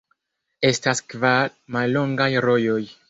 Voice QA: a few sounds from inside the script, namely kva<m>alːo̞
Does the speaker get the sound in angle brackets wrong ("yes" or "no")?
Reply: no